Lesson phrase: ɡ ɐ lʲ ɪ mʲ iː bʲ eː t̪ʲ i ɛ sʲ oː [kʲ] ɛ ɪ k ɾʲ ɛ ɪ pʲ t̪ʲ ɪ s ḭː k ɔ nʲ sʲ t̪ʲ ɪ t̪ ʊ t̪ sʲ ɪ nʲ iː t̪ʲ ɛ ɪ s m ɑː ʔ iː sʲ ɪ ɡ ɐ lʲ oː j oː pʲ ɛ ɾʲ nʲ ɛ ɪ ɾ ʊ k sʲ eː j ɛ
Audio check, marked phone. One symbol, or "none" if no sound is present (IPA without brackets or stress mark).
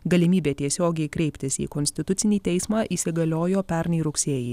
ɡʲ